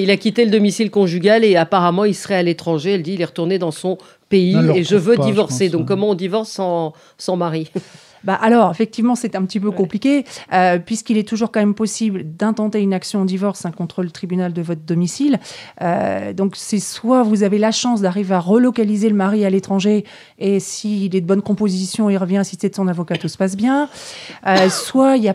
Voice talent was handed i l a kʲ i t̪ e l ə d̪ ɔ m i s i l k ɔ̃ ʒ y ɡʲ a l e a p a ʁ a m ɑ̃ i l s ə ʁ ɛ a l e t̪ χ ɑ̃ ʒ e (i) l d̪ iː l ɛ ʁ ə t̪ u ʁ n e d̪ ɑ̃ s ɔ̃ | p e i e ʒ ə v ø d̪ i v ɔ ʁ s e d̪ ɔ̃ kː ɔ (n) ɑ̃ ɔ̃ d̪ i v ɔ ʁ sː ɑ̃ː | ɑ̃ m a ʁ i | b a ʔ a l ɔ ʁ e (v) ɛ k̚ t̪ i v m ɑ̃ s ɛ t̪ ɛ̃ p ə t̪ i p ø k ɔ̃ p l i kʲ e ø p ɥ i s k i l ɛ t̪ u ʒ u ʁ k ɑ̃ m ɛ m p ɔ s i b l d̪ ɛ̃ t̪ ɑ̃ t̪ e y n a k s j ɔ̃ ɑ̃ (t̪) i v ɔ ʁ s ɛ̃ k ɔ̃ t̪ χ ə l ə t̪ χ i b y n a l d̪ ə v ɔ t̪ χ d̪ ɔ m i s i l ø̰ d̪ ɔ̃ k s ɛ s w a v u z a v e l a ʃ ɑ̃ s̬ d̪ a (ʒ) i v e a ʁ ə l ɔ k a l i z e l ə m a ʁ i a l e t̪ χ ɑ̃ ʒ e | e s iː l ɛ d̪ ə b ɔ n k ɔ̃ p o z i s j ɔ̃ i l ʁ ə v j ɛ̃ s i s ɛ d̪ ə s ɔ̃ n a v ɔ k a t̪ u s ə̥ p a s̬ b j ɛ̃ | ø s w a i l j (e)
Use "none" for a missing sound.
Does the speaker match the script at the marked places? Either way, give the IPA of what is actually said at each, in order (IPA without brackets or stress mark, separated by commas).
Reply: ɛ, m, f, d̪, ʁ, a